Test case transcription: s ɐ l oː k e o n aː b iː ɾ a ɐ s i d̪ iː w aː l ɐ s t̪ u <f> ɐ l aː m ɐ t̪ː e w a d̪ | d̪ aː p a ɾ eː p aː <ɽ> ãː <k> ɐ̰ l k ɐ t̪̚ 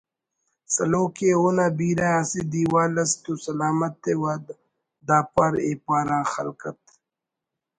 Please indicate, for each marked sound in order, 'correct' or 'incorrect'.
incorrect: s, incorrect: ɾ, incorrect: x

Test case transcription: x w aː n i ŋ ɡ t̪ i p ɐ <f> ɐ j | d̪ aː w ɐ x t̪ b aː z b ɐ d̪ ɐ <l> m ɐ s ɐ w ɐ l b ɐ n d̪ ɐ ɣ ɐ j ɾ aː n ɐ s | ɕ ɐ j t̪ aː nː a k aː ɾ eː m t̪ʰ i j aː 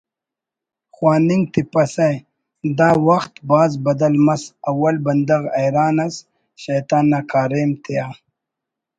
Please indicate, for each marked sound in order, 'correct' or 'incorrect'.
incorrect: s, correct

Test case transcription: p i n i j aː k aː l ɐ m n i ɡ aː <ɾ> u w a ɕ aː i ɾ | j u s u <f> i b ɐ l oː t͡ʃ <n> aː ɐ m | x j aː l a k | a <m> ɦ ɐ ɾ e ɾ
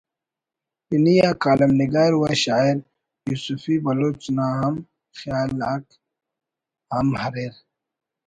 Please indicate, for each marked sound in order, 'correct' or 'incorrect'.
correct, correct, correct, correct

